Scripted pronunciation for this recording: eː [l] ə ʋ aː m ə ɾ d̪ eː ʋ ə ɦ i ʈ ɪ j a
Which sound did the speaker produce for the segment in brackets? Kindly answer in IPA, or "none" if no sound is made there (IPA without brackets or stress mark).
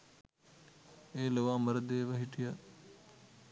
l